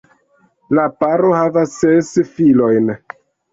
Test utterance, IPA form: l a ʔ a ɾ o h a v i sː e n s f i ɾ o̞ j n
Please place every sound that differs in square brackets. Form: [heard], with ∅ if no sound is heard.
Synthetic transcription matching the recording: l a [p] a ɾ o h a v [a] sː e [∅] s f i [l] o̞ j n